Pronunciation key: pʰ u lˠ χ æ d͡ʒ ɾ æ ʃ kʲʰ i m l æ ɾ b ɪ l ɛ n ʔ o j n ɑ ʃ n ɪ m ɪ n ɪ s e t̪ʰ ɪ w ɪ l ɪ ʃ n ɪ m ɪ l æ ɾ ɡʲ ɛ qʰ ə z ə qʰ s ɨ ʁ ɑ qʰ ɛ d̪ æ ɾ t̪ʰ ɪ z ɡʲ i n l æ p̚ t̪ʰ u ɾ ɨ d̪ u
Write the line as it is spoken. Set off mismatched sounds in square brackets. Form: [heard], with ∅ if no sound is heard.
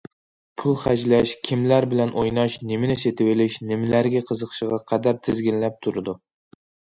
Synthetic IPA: pʰ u lˠ χ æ d͡ʒ [l] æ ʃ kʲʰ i m l æ ɾ b ɪ l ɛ n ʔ o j n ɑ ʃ n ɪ m ɪ n ɪ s e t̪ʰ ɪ w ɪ l ɪ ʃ n ɪ m ɪ l æ ɾ ɡʲ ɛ qʰ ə z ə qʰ [ʃ] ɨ ʁ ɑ qʰ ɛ d̪ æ ɾ t̪ʰ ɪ z ɡʲ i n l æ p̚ t̪ʰ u ɾ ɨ d̪ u